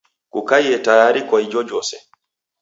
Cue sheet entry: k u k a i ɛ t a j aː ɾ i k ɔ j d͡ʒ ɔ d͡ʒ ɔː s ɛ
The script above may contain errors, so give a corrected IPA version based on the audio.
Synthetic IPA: k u k a j ɛ t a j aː ɾ i k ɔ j d͡ʒ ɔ d͡ʒ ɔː s ɛ